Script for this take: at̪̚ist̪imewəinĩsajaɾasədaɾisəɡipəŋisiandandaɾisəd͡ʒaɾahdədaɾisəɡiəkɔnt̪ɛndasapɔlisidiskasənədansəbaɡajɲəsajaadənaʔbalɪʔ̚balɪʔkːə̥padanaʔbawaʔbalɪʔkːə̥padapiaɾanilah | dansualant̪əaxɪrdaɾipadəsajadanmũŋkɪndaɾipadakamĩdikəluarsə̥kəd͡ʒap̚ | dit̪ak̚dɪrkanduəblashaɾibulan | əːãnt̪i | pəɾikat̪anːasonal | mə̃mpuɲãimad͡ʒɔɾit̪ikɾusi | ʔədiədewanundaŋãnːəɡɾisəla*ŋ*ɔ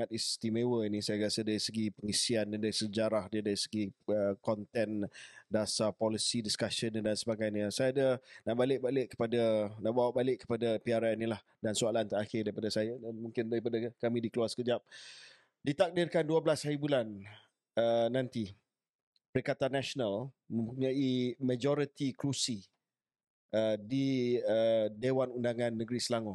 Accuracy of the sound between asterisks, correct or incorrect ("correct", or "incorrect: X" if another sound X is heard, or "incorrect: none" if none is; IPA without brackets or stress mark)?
correct